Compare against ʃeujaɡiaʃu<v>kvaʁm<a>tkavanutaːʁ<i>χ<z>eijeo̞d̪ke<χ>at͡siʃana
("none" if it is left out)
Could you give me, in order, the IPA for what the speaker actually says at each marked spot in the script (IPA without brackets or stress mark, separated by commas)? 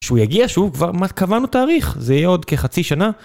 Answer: v, a, i, z, χ